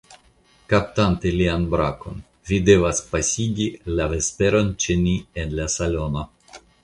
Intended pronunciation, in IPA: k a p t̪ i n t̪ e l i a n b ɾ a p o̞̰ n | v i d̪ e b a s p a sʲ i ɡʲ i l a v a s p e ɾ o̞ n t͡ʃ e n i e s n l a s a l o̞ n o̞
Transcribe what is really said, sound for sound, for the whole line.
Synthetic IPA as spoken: k a p t̪ a n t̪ e l i a n b ɾ a k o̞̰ n | v i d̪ e v a s p a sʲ i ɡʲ i l a v e s p e ɾ o̞ n t͡ʃ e n i e n l a s a l o̞ n o̞